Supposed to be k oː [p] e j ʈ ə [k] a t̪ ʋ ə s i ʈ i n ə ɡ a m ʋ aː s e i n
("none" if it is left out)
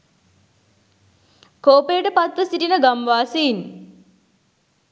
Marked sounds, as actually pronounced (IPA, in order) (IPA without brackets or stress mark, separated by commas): p, p